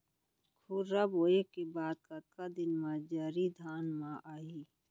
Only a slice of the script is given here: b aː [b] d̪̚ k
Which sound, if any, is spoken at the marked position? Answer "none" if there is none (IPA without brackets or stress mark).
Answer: none